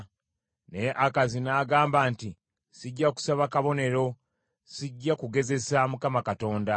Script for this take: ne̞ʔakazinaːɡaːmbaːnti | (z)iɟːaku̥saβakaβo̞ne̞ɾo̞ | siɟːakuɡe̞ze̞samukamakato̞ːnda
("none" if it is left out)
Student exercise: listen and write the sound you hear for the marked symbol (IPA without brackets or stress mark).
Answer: s